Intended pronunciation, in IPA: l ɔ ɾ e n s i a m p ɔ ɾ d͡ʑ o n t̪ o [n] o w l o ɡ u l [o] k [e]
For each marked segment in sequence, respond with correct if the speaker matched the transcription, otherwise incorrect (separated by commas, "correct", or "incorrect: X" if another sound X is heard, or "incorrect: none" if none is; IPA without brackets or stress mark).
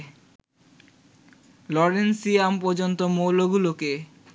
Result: incorrect: m, correct, correct